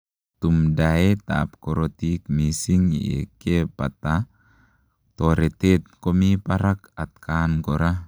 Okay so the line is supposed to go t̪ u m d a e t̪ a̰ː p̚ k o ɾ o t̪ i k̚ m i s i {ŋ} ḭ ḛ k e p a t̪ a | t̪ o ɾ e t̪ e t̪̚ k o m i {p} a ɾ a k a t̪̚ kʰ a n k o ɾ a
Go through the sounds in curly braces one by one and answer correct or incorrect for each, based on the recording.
correct, correct

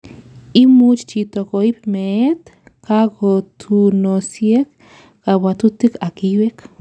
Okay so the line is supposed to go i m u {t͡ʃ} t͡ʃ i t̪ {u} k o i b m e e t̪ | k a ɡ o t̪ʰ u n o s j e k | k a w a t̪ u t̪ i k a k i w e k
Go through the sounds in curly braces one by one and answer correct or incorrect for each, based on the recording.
correct, incorrect: o

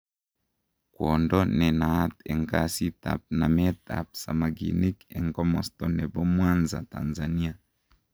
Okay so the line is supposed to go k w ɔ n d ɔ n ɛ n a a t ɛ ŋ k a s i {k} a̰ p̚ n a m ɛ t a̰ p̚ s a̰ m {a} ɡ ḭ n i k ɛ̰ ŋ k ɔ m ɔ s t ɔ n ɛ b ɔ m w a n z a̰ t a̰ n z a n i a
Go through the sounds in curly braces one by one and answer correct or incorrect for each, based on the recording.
incorrect: t, correct

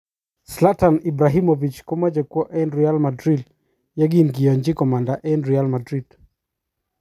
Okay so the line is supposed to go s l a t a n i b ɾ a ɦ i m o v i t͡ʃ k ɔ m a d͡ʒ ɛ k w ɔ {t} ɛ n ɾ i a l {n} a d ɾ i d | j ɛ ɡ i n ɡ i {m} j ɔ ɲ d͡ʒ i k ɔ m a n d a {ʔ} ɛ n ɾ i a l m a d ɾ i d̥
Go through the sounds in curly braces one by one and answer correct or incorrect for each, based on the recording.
incorrect: ʔ, incorrect: m, incorrect: none, correct

